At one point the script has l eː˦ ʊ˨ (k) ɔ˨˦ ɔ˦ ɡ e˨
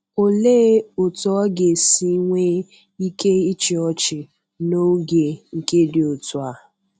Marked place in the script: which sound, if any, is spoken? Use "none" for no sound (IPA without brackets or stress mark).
t